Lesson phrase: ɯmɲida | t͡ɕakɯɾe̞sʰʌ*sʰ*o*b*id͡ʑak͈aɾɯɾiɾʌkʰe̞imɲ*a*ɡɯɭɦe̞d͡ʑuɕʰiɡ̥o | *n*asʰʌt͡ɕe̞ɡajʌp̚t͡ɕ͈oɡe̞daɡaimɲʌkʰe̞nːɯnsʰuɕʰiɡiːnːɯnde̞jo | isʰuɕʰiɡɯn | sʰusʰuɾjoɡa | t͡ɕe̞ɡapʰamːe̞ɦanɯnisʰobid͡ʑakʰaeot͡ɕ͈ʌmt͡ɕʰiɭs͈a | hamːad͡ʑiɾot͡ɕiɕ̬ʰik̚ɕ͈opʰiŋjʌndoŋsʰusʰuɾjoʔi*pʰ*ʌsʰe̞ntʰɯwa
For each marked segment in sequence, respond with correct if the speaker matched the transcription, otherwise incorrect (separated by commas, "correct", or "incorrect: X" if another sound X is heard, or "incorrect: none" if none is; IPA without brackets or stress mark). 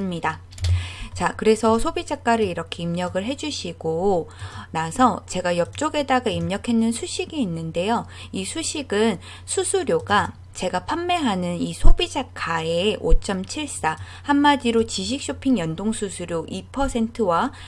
correct, correct, incorrect: ʌ, correct, correct